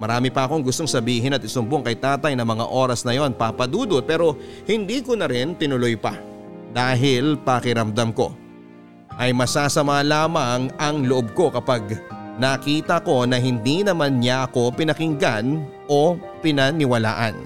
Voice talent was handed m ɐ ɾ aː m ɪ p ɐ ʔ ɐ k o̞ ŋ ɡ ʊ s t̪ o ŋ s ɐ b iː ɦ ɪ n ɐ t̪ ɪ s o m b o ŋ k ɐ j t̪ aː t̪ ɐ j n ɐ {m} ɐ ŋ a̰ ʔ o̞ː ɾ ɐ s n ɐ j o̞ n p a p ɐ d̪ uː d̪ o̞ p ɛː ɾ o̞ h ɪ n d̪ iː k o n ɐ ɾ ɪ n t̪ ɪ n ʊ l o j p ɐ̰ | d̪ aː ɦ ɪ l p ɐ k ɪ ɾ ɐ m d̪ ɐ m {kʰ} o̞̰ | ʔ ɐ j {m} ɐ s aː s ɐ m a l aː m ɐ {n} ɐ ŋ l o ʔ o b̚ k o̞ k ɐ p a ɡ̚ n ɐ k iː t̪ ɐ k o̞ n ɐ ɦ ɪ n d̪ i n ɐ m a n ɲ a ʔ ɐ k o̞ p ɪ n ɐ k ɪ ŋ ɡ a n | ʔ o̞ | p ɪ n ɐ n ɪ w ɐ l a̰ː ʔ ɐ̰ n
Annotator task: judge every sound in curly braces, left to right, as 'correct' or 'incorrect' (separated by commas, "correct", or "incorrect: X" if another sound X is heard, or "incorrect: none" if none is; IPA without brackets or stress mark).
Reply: correct, incorrect: k, correct, incorrect: ŋ